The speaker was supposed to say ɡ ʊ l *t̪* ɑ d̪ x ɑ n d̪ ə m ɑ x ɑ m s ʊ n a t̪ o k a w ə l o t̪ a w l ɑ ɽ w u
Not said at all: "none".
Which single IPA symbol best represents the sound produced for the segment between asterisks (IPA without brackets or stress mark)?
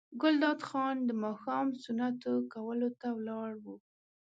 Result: d̪